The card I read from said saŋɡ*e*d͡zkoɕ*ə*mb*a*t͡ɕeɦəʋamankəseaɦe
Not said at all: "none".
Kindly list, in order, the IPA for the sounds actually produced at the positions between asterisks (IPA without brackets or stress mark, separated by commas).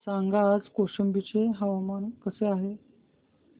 a, ə, i